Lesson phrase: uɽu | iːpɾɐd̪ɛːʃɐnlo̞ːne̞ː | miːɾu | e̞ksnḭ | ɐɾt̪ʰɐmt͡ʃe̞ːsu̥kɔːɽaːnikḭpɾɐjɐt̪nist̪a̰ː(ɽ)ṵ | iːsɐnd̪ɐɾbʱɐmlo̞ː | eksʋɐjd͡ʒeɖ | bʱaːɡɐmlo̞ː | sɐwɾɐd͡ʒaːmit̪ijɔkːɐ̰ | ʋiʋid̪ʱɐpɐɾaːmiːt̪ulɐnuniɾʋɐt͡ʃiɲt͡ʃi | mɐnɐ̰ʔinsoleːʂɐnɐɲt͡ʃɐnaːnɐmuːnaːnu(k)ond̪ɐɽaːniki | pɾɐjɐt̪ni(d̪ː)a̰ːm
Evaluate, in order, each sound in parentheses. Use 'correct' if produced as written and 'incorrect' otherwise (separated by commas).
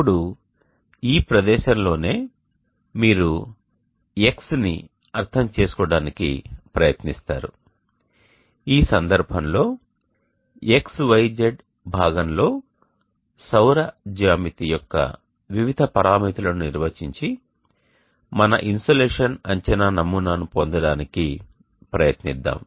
incorrect, incorrect, correct